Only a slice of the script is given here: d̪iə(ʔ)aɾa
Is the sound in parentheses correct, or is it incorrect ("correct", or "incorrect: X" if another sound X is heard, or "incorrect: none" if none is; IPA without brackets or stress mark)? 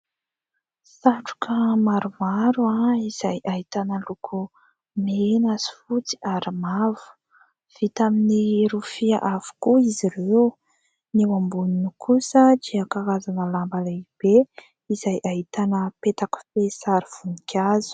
incorrect: k